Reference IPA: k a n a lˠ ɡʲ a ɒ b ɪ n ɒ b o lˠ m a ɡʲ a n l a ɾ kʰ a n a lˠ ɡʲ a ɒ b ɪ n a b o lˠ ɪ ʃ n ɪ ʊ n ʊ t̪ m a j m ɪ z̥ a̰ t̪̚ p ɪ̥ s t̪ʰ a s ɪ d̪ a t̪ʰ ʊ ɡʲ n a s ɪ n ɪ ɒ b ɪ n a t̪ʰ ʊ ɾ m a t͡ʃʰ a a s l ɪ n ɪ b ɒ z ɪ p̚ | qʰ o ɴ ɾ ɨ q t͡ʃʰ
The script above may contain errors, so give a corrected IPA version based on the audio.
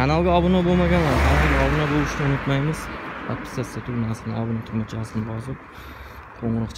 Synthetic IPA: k a n a lˠ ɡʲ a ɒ b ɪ n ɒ b o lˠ m a ɡʲ a n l a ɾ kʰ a n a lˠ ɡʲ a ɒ b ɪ n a b o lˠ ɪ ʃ n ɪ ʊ n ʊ t̪ m a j m ɪ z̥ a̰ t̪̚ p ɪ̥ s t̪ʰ a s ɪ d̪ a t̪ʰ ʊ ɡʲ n a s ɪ n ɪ ɒ b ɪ n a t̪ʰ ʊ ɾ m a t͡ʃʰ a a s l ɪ n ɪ b ɒ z ɪ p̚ | qʰ o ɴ ɾ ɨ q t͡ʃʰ